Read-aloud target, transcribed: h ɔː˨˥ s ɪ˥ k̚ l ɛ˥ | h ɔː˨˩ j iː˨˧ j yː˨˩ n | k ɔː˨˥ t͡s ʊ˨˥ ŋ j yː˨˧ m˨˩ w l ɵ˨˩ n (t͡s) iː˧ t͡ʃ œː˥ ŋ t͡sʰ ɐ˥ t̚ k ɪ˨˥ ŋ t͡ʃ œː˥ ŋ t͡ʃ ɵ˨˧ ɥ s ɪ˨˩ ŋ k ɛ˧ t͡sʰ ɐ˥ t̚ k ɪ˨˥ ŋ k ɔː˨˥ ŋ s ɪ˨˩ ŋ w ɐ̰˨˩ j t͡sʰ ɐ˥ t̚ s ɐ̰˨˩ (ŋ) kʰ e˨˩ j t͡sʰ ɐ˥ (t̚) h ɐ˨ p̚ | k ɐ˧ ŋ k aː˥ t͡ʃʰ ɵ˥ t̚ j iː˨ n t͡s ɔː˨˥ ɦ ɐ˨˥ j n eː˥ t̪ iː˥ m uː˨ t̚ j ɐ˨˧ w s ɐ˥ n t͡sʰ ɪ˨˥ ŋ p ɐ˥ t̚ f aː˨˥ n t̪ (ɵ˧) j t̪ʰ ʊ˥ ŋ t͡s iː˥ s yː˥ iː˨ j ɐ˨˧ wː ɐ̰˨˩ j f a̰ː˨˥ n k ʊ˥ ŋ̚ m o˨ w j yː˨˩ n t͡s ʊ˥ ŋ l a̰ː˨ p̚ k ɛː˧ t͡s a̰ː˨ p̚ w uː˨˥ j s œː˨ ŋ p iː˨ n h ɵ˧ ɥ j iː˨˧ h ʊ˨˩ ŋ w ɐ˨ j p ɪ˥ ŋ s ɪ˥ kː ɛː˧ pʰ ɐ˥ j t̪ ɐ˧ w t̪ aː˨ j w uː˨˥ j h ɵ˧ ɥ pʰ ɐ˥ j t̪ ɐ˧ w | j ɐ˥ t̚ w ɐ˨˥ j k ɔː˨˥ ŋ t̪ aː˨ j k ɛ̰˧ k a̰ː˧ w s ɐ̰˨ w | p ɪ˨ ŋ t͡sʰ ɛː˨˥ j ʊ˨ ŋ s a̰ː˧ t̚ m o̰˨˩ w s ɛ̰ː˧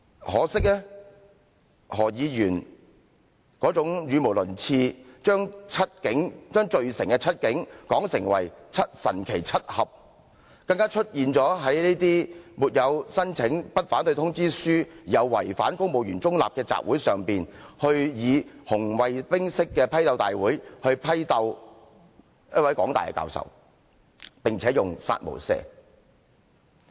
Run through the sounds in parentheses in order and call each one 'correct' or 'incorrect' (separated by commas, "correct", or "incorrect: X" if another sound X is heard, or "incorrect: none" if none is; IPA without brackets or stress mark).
incorrect: t͡sʰ, incorrect: n, correct, correct